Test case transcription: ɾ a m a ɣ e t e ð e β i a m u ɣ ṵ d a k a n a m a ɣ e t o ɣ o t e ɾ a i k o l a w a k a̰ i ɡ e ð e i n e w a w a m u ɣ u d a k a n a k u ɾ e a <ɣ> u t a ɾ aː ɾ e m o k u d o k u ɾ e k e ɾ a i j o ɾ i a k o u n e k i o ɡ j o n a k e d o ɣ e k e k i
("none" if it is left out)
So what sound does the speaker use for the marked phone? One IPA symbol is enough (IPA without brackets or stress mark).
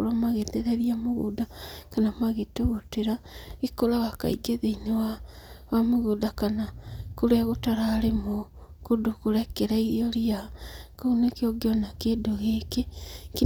ɣ